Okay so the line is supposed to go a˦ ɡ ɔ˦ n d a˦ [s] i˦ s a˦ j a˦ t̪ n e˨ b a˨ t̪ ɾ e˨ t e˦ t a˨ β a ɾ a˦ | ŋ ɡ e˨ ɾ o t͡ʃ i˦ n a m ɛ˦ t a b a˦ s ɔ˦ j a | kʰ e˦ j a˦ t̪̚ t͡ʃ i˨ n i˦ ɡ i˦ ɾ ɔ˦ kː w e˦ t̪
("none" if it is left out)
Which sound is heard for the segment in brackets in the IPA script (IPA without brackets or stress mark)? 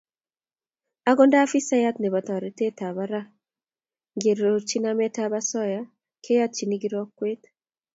f